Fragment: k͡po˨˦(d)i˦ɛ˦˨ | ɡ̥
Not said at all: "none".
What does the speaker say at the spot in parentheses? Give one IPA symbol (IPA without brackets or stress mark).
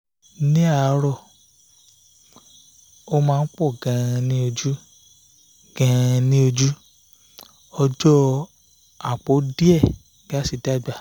d